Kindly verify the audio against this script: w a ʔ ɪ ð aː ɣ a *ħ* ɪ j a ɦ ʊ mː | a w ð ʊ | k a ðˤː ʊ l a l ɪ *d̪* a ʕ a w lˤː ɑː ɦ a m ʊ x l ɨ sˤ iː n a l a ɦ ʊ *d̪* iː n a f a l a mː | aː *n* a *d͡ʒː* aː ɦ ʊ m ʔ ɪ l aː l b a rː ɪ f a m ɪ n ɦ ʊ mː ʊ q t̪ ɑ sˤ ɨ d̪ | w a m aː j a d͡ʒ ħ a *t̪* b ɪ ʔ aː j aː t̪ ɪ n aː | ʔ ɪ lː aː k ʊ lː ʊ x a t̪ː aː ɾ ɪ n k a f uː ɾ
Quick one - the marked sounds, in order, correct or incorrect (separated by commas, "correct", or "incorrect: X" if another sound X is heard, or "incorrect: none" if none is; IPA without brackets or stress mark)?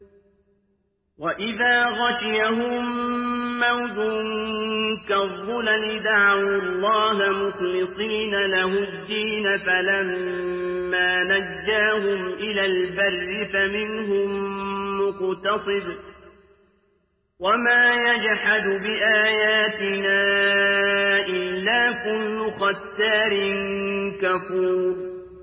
incorrect: ʃ, correct, incorrect: d̪ː, correct, correct, incorrect: d̪